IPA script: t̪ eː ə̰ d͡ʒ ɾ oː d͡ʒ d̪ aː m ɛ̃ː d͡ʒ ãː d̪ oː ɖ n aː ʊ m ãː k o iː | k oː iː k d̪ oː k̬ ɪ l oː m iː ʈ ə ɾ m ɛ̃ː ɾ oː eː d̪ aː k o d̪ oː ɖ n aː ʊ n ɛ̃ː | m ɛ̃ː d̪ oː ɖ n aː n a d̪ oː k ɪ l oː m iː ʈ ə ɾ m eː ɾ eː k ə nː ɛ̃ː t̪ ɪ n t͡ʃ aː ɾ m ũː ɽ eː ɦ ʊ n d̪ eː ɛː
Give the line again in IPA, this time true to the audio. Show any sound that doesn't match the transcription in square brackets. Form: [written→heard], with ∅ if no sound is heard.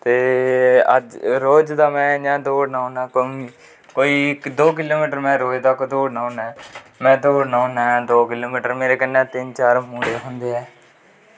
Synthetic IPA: t̪ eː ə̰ d͡ʒ ɾ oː d͡ʒ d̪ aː m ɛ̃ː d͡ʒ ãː d̪ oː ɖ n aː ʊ [m→n] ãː k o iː | k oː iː k d̪ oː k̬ ɪ l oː m iː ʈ ə ɾ m ɛ̃ː ɾ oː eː d̪ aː k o d̪ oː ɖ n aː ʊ n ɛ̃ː | m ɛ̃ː d̪ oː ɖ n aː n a d̪ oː k ɪ l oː m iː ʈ ə ɾ m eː ɾ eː k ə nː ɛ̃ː t̪ ɪ n t͡ʃ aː ɾ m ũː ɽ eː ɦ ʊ n d̪ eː ɛː